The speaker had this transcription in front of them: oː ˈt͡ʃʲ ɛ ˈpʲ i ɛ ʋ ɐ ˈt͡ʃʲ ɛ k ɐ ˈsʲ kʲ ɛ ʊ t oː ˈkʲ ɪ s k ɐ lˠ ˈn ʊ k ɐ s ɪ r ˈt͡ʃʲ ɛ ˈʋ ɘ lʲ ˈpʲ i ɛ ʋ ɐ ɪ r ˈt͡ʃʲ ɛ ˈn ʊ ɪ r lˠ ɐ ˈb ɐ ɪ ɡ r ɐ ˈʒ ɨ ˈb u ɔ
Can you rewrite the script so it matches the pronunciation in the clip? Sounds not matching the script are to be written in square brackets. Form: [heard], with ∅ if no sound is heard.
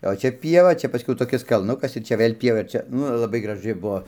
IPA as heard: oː ˈt͡ʃʲ ɛ ˈpʲ i ɛ ʋ ɐ ˈt͡ʃʲ ɛ [p] ɐ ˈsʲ kʲ ɛ ʊ t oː ˈkʲ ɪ s k ɐ lˠ ˈn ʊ k ɐ s ɪ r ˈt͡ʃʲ ɛ ˈʋ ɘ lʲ ˈpʲ i ɛ ʋ ɐ ɪ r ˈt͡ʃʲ ɛ ˈn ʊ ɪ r lˠ ɐ ˈb ɐ ɪ ɡ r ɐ ˈʒ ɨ ˈb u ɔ